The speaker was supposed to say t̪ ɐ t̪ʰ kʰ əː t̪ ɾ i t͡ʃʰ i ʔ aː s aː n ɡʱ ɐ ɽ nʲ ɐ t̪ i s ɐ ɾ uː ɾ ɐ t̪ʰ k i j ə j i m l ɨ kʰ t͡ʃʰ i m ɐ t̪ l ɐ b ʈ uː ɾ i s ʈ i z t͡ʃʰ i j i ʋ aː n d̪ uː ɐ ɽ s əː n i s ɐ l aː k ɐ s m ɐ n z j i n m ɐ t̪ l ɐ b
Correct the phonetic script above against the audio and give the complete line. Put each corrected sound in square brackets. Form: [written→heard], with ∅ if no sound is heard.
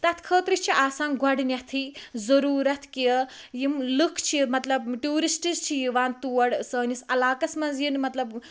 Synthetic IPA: t̪ ɐ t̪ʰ kʰ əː t̪ ɾ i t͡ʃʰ i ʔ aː s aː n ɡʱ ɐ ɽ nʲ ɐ [t̪→t̪ʰ] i [s→z] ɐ ɾ uː ɾ ɐ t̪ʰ k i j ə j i m l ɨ kʰ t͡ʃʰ i m ɐ t̪ l ɐ b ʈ uː ɾ i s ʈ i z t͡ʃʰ i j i ʋ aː n [d̪→t̪] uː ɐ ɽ s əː n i s ɐ l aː k ɐ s m ɐ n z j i n m ɐ t̪ l ɐ b

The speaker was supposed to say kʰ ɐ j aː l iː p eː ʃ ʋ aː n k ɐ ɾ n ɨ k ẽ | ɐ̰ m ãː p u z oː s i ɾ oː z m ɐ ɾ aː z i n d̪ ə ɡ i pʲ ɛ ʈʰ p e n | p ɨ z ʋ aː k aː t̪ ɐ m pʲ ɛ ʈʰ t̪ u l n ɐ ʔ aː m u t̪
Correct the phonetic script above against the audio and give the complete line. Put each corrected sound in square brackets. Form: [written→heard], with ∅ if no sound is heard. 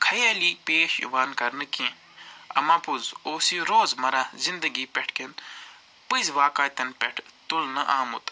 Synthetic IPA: kʰ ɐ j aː l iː p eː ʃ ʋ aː n k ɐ ɾ n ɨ k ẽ | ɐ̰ m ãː p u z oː s i ɾ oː z m ɐ ɾ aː z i n d̪ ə ɡ i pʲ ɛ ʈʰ [p→k] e n | p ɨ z ʋ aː k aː t̪ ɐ [m→n] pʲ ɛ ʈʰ t̪ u l n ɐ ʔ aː m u t̪

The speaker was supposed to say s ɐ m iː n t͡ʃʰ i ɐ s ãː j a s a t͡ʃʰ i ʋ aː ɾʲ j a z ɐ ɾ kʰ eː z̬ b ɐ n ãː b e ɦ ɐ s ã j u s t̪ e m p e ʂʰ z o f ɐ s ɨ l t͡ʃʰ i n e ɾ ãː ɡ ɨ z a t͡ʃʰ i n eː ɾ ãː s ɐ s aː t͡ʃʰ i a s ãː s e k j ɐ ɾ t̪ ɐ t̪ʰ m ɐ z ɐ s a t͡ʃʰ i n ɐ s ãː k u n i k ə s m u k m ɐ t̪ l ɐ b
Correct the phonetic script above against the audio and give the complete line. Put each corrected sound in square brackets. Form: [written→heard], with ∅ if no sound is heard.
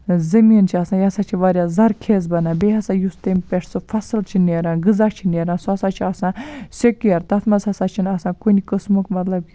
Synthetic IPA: [s→z] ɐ m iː n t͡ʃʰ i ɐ s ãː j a s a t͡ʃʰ i ʋ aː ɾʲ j a z ɐ ɾ kʰ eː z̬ b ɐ n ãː b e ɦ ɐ s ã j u s t̪ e m p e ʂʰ [z→s] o f ɐ s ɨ l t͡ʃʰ i n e ɾ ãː ɡ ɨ z a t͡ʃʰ i n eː ɾ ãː s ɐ s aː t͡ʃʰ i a s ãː s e k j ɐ ɾ t̪ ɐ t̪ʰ m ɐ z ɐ s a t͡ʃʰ i n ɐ s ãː k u n i k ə s m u k m ɐ t̪ l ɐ b

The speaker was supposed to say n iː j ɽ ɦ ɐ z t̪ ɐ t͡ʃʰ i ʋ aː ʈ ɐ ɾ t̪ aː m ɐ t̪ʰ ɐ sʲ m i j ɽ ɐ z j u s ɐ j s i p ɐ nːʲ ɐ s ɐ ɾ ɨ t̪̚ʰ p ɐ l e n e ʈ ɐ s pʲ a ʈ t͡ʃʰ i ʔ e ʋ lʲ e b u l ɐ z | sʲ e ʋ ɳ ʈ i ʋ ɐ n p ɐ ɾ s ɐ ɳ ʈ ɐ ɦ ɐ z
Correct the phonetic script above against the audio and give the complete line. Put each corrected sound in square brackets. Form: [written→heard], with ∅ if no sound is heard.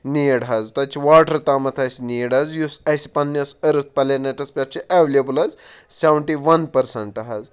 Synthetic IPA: n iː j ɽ ɦ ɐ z t̪ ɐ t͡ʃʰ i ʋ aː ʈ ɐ ɾ t̪ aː m ɐ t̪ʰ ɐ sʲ [m→n] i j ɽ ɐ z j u s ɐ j s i p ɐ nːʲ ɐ s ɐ ɾ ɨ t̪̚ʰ p ɐ l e n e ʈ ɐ s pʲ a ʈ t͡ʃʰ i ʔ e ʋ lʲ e b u l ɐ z | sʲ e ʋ ɳ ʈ i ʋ ɐ n p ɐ ɾ s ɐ ɳ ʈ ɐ ɦ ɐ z

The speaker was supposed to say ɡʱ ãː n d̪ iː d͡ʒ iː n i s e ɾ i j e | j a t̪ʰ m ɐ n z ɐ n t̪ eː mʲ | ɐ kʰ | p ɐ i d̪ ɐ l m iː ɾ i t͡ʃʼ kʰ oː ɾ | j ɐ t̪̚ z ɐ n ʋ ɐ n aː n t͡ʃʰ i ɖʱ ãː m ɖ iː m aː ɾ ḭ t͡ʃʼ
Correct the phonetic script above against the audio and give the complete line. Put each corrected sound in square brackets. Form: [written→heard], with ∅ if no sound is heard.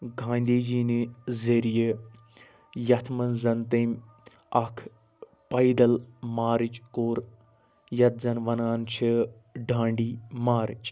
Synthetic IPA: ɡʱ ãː n d̪ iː d͡ʒ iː n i [s→z] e ɾ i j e | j [a→ɐ] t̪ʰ m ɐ n z ɐ n t̪ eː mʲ | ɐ kʰ | p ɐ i d̪ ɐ l m [iː→aː] ɾ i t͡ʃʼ [kʰ→k] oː ɾ | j ɐ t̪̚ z ɐ n ʋ ɐ n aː n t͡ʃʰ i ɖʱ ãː [m→ɳ] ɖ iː m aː ɾ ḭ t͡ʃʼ

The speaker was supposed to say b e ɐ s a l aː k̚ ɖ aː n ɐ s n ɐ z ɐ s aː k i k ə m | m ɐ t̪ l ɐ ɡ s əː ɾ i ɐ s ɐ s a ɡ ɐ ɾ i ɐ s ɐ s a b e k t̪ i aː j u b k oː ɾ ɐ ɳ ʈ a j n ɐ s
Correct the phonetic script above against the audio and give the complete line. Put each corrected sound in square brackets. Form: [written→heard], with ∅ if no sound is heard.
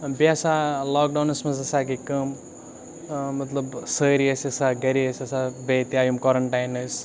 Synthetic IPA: b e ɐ s a l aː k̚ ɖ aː n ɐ s [n→m] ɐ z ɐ s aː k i k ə m | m ɐ t̪ l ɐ [ɡ→b] s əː ɾ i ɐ s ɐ s a ɡ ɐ ɾ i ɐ s ɐ s a b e [k→∅] t̪ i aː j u [b→m] k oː ɾ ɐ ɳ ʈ a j n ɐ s

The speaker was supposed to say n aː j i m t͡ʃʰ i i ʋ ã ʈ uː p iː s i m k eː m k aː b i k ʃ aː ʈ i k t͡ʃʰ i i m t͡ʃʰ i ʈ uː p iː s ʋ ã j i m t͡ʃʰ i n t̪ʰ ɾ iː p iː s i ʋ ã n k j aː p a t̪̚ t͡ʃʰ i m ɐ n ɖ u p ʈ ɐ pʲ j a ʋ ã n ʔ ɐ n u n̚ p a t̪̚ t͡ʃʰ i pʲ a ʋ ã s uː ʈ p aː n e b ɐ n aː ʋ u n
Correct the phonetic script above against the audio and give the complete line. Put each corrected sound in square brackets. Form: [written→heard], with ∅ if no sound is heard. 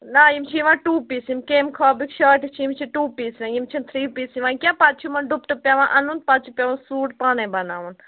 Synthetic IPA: n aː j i m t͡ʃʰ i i ʋ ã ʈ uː p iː s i m k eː m [k→kʰ] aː b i k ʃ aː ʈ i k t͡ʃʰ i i m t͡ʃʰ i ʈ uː p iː s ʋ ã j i m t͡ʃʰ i n t̪ʰ ɾ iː p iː s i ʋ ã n k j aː p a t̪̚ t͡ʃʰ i m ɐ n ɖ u p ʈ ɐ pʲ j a ʋ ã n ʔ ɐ n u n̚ p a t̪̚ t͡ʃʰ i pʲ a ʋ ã s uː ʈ p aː n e b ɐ n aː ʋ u n

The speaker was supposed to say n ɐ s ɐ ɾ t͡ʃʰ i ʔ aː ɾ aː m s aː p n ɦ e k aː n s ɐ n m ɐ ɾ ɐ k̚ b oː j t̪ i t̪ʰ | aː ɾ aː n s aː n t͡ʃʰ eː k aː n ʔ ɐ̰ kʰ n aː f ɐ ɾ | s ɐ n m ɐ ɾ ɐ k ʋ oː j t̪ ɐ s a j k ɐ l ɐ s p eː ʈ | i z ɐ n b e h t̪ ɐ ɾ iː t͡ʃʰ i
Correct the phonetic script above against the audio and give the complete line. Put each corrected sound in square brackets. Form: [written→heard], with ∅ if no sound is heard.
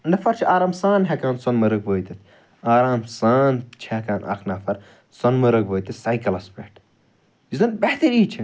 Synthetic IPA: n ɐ [s→f] ɐ ɾ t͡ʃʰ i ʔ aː ɾ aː m s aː [p→∅] n ɦ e k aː n s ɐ n m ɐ ɾ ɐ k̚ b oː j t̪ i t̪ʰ | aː ɾ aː [n→m] s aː n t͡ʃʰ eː k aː n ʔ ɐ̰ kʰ n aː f ɐ ɾ | s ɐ n m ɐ ɾ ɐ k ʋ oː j t̪ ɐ s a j k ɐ l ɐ s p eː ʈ | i z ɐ n b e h t̪ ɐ ɾ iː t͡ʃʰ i

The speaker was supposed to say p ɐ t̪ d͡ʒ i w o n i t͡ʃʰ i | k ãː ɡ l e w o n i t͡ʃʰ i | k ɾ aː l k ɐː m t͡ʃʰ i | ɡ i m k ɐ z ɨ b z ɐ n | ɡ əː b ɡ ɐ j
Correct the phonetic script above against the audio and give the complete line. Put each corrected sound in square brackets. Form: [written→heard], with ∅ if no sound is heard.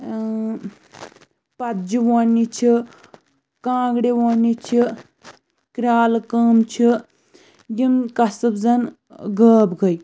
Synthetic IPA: p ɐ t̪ d͡ʒ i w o n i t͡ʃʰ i | k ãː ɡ [l→ɽ] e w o n i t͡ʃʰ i | k ɾ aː l k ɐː m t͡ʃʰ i | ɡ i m k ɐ [z→s] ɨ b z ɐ n | ɡ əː b ɡ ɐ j

